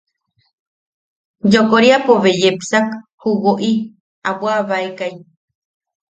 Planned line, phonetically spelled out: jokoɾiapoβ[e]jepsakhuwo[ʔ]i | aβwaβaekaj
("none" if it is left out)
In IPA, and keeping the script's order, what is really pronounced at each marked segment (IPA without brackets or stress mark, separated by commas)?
e, ʔ